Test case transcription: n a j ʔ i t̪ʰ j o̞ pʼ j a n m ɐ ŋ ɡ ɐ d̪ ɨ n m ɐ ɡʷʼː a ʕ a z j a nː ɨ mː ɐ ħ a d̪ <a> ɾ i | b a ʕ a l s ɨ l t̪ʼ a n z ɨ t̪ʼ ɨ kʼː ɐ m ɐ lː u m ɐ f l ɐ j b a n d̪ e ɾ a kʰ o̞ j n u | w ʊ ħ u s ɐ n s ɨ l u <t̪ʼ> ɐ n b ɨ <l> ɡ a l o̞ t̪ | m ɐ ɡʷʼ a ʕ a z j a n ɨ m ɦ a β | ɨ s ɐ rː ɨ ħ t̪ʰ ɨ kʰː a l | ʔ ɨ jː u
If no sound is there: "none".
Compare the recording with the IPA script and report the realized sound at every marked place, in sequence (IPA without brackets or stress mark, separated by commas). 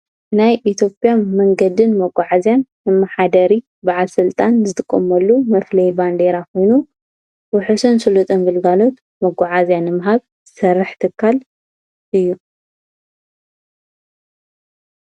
ɐ, t̪ʼ, l